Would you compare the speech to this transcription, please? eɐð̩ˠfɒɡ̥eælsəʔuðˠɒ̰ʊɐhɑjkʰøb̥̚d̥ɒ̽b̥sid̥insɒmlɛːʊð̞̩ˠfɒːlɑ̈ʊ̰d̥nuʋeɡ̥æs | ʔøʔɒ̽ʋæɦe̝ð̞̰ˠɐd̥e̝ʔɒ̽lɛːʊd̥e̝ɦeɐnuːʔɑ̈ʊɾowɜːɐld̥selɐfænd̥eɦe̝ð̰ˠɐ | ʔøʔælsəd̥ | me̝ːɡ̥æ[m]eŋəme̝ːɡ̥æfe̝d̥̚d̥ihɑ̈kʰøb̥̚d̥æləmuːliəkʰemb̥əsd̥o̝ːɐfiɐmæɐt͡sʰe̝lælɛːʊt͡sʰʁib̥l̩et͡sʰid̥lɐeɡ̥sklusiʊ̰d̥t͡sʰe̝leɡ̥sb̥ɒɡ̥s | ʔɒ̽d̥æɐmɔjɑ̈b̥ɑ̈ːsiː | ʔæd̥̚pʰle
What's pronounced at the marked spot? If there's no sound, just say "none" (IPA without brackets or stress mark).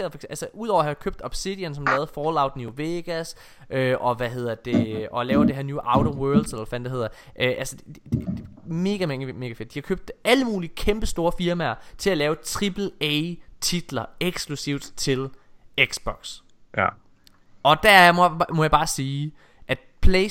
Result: m